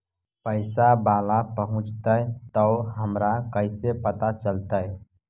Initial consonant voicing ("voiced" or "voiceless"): voiceless